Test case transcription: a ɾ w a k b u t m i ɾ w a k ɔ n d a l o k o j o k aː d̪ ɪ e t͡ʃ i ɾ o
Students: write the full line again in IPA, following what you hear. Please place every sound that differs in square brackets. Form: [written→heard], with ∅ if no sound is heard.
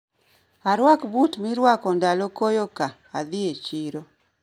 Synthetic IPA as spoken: a ɾ w a k b u t m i ɾ w a k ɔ n d a l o k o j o k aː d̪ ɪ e t͡ʃ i ɾ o